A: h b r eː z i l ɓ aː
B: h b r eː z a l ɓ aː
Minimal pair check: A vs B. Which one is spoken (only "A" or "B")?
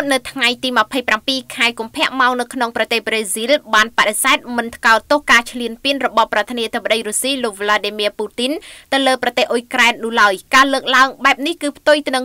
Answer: A